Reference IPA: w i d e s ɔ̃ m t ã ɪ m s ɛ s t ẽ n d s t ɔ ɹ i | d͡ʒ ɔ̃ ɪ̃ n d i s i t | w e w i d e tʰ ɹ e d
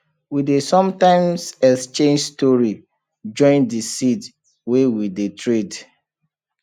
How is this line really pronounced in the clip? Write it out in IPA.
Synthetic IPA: w i d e s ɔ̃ m t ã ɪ m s ɛ s t͡ʃ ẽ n d͡ʒ s t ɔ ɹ i | d͡ʒ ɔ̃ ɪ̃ n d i s i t | w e w i d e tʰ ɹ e d

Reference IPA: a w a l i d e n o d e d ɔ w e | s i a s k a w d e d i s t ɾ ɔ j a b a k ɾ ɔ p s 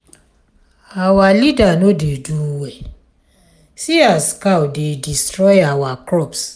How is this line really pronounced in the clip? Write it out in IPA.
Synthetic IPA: a w a l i d a n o d e d u w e | s i a s k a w d e d i s t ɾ ɔ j a w a k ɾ ɔ p s

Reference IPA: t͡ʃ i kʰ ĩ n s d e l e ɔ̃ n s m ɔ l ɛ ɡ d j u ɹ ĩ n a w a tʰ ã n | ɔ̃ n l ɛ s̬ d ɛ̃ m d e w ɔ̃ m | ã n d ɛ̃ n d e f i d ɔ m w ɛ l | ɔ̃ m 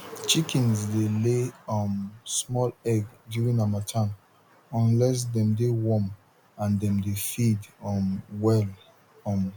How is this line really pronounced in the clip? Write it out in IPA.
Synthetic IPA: t͡ʃ i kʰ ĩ n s d e l e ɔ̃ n s m ɔ l ɛ ɡ d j u ɹ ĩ n a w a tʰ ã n | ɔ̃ n l ɛ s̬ d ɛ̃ m d e w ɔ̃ m | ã n d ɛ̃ m d e f i d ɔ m w ɛ l | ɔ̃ m

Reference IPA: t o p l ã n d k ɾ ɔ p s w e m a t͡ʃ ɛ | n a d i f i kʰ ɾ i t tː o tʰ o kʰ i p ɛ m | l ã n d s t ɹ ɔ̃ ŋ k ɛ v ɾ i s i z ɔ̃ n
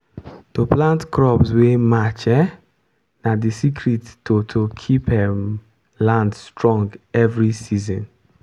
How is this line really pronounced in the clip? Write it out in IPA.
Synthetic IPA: t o p l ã n t k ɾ ɔ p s w e m a t͡ʃ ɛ | n a d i s i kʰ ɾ i t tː o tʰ o kʰ i p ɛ m | l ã n d s t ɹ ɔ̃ ŋ ɡ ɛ v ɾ i s i z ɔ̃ n

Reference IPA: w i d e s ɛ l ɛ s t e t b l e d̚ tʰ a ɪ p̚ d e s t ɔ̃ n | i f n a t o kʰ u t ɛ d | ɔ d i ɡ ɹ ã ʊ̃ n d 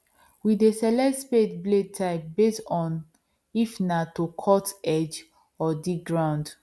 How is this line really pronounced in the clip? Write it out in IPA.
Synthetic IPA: w i d e s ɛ l ɛ s p e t b l e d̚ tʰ a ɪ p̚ b e s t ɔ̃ n | i f n a t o kʰ ɔ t ɛ d͡ʒ | ɔ d i ɡ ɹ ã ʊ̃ n d

